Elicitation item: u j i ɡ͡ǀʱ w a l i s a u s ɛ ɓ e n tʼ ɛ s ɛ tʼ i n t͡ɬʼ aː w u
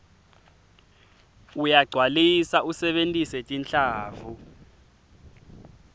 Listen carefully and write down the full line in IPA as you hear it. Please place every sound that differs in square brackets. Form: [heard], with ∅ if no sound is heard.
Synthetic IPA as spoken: u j [a] ɡ͡ǀʱ w a l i s a u s ɛ ɓ e n tʼ [i] s ɛ tʼ i n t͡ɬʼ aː [v] u